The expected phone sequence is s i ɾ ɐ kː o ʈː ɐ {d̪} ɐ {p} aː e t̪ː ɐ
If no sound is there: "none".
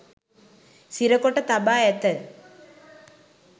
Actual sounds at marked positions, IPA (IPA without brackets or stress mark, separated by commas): t̪, b